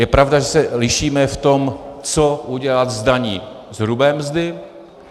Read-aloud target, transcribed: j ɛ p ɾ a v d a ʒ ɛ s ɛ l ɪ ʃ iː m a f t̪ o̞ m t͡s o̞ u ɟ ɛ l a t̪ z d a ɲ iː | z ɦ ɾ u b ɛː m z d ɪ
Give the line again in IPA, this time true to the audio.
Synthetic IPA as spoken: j ɛ p ɾ a v d a ʒ ɛ s ɛ l ɪ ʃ iː m ɛ f t̪ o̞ m t͡s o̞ u ɟ ɛ l a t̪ z d a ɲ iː | z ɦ ɾ u b ɛː m z d ɪ